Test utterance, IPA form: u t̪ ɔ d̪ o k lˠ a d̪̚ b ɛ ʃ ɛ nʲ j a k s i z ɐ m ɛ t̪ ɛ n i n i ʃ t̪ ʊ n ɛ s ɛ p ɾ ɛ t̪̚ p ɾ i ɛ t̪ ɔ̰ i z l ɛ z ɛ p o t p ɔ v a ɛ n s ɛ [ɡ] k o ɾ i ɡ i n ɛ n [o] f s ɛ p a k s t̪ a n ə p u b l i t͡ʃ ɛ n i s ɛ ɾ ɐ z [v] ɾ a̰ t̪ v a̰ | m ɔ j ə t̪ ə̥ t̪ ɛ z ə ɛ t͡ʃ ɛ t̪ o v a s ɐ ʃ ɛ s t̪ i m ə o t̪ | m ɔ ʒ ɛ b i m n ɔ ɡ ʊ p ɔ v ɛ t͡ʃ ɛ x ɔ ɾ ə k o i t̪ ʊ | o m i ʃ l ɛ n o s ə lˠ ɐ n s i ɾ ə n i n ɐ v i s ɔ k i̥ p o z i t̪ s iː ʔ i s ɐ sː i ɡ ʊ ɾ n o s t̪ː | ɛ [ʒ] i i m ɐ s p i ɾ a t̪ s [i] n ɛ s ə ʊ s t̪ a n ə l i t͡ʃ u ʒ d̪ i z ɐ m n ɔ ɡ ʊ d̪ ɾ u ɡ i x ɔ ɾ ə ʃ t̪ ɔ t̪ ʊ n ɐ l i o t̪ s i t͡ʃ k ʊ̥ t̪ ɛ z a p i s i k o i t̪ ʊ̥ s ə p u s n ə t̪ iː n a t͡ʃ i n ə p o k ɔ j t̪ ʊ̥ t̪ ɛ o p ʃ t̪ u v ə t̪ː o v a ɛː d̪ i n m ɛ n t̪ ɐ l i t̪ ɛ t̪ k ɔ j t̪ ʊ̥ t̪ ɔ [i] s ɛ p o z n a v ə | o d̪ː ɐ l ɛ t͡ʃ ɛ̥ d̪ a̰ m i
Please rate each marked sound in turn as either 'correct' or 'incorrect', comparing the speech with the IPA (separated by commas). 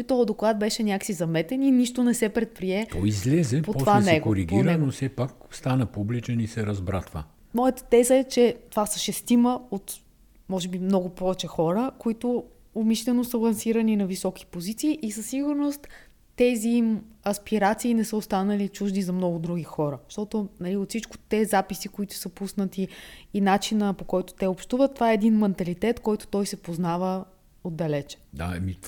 correct, correct, incorrect, incorrect, incorrect, incorrect